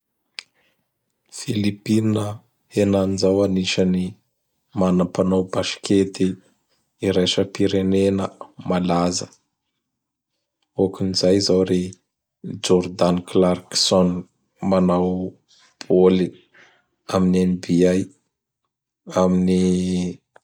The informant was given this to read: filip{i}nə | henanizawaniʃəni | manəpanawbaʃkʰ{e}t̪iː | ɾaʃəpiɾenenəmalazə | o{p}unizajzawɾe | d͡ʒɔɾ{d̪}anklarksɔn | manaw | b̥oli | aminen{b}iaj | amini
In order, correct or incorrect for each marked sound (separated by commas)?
correct, correct, incorrect, correct, correct